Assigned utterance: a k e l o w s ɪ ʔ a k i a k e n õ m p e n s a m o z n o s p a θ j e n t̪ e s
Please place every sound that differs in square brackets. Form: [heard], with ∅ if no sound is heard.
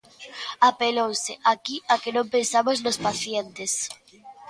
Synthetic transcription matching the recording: a [p] e l o w s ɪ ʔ a k i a k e n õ m p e n s a m o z n o s p a θ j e n t̪ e s